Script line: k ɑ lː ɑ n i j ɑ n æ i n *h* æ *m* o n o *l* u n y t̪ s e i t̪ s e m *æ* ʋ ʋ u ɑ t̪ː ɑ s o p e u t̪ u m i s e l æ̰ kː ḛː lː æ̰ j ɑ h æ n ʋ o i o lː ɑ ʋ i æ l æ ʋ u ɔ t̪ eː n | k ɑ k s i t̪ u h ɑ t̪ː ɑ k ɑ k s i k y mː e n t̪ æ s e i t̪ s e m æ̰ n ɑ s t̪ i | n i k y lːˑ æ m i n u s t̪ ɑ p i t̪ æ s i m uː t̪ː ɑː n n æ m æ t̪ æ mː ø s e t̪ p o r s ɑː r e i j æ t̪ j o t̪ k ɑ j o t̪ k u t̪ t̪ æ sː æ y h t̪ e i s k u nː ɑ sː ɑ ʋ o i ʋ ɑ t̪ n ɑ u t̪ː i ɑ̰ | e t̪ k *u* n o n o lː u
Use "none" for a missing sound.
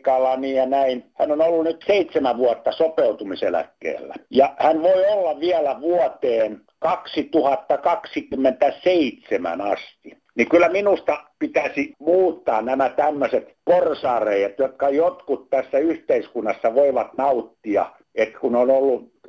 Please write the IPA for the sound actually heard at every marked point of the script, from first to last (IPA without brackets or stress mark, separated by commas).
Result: h, n, lː, æ, u